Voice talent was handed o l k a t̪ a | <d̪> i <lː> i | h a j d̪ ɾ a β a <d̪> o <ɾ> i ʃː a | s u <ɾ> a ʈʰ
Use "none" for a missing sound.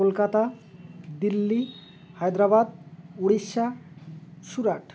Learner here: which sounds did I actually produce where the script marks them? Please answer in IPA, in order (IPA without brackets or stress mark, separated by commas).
d̪, lː, d̪, ɽ, ɾ